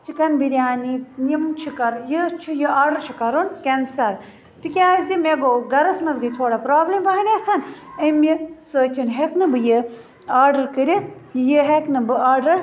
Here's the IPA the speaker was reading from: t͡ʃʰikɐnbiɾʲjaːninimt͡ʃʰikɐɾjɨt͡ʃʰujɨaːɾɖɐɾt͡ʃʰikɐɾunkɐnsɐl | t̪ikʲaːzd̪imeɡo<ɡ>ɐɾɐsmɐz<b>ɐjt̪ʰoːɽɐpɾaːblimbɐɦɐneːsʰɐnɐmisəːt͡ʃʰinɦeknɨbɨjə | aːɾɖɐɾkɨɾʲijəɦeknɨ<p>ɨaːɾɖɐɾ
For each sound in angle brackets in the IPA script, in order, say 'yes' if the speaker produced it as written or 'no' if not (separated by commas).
yes, no, no